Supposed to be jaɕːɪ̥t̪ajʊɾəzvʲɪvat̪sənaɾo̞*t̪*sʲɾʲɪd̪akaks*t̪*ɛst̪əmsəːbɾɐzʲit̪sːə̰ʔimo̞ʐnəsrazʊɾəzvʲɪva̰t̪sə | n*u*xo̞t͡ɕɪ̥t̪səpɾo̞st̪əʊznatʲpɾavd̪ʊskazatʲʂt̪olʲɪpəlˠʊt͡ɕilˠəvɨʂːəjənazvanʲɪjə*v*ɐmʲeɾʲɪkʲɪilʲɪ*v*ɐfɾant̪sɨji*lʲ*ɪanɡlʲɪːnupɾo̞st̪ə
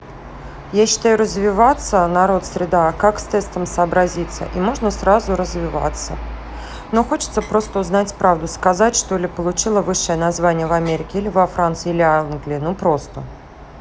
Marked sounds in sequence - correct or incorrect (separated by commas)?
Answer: correct, correct, incorrect, correct, correct, correct